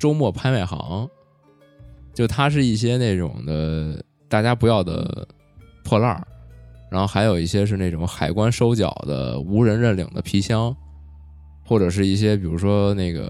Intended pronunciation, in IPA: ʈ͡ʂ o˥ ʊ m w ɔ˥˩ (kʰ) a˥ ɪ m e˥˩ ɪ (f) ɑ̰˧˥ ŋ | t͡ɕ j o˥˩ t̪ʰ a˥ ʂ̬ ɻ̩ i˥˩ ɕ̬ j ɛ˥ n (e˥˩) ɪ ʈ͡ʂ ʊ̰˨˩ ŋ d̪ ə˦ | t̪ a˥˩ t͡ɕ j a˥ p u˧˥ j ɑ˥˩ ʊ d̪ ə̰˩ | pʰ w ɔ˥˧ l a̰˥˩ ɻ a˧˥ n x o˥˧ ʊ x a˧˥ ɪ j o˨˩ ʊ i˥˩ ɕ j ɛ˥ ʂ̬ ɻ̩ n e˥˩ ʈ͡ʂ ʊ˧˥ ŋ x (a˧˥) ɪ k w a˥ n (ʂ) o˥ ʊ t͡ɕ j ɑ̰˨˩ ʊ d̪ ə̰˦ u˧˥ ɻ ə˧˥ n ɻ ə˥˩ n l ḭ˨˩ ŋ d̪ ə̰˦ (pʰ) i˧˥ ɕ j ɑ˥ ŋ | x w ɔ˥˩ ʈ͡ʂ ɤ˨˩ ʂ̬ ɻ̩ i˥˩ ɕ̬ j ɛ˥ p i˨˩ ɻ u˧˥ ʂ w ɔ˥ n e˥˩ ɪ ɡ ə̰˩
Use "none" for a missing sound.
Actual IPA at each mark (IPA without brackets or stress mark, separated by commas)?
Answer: pʰ, x, e˥˩, a˨˩, ʂ, pʰ